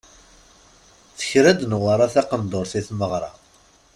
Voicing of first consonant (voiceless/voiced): voiceless